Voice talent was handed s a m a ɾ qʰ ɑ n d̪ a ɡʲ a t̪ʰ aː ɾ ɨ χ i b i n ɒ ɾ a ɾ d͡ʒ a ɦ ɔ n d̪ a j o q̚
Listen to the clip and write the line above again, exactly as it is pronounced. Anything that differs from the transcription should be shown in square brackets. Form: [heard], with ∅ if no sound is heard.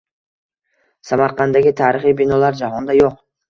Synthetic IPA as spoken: s a m a ɾ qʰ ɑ n d̪ a ɡʲ [i] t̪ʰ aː ɾ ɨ χ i b i n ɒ [l] a ɾ d͡ʒ a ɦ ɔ n d̪ a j o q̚